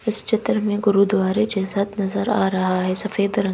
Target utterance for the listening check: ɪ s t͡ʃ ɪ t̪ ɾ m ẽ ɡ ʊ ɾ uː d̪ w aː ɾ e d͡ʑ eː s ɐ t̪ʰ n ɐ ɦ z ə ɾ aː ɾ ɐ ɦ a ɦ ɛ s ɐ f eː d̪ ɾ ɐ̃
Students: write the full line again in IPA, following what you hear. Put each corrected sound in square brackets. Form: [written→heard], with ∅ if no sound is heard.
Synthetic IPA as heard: ɪ s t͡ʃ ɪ t̪ ɾ m ẽ ɡ ʊ ɾ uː d̪ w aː ɾ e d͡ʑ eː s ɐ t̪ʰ n ɐ [ɦ→∅] z ə ɾ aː ɾ ɐ ɦ a ɦ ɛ s ɐ f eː d̪ ɾ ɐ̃